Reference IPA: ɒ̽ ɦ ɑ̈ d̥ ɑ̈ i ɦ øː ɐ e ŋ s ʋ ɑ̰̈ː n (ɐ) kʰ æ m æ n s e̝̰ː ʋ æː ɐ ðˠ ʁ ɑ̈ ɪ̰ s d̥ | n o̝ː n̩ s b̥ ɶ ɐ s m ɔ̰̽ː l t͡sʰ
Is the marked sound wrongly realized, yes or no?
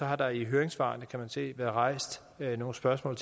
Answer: yes